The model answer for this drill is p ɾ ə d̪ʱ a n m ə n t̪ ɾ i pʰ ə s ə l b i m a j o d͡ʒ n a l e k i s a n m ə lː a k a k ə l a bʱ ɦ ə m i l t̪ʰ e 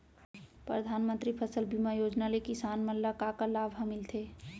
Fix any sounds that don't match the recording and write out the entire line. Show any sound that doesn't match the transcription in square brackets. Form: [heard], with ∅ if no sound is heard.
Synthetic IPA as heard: p ɾ ə d̪ʱ a n m ə n t̪ ɾ i pʰ ə s ə l b i m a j o d͡ʒ n a l e k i s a n m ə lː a k a k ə l a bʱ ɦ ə m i l t̪ʰ e